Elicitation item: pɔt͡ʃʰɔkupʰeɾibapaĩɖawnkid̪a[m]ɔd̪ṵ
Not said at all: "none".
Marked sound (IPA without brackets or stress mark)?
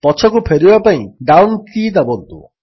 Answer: b